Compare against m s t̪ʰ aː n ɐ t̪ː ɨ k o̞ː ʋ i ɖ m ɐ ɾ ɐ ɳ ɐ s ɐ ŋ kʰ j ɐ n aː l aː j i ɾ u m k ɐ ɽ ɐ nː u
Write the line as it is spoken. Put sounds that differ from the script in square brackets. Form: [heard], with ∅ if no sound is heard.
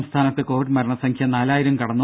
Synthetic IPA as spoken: m s t̪ʰ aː n ɐ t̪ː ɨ k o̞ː ʋ i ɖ m ɐ ɾ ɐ ɳ ɐ s ɐ ŋ kʰ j ɐ n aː l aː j i ɾ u m k ɐ ɽ ɐ nː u